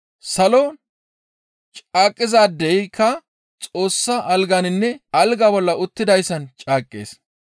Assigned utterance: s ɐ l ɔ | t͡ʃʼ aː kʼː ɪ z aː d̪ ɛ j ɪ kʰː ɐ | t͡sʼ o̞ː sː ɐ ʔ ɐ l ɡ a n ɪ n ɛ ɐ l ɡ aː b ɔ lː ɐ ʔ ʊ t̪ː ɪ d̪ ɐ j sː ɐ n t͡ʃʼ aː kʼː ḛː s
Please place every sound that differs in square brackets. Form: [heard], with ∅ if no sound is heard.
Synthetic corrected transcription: s ɐ l ɔ | t͡ʃʼ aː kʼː ɪ z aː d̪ ɛ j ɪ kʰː ɐ | t͡sʼ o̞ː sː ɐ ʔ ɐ l ɡ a n ɪ [nː] ɛ ɐ l ɡ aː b ɔ lː ɐ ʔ ʊ t̪ː ɪ d̪ ɐ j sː ɐ n t͡ʃʼ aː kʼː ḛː s